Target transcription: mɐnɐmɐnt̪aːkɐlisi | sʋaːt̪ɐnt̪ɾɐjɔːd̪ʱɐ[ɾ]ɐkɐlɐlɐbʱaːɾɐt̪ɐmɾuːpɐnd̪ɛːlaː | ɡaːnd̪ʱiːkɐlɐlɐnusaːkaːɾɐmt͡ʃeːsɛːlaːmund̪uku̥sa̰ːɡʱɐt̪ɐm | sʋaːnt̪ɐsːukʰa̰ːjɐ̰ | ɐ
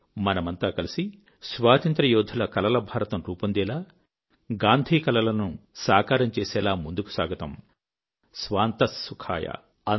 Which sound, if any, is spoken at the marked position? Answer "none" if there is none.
l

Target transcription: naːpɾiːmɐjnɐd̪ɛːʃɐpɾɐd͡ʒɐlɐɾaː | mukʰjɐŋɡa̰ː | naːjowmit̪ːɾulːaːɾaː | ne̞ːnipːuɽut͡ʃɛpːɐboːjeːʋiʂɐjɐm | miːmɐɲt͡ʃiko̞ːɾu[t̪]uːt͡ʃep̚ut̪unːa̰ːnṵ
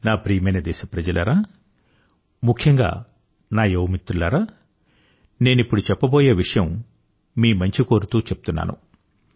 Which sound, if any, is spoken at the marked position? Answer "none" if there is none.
t̪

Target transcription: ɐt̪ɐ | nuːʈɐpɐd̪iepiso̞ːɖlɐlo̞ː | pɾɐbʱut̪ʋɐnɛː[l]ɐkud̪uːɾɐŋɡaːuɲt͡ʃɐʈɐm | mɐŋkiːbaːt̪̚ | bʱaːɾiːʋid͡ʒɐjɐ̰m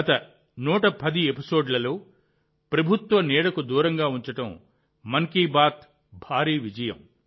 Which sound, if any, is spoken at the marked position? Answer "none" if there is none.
ɽ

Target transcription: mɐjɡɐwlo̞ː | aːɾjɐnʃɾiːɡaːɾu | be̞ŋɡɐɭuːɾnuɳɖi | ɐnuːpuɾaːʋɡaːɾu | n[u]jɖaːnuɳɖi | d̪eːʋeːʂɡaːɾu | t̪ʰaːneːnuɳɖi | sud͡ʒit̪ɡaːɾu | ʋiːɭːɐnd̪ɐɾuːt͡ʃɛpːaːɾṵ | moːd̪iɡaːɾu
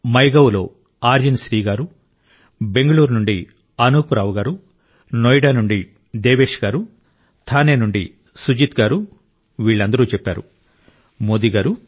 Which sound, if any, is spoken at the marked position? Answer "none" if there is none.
o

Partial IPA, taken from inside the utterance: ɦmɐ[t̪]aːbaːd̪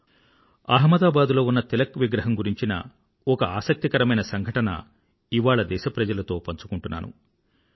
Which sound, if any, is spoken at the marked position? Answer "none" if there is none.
d̪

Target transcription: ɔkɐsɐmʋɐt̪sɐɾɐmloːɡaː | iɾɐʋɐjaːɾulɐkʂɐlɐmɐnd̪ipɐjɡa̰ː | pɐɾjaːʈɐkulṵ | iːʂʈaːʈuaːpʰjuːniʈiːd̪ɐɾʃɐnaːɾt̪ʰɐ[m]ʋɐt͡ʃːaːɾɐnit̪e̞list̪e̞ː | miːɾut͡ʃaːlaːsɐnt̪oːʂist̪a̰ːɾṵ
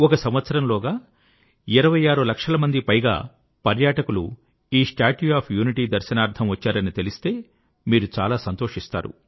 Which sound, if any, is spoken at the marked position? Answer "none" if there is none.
m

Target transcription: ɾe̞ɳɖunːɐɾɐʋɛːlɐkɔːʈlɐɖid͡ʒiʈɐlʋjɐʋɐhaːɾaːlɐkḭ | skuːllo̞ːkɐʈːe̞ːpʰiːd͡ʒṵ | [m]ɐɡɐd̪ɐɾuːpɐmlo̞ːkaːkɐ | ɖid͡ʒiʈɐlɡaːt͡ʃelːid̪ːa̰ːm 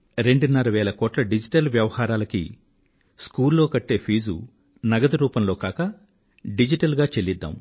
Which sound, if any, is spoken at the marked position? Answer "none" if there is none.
n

